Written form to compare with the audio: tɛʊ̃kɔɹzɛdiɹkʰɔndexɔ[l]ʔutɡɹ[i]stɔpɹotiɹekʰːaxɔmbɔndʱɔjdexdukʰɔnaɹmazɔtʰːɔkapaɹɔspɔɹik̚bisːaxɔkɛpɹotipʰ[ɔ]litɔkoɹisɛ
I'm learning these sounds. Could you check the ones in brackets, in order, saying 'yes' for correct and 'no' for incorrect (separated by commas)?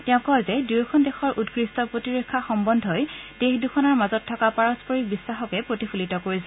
no, yes, no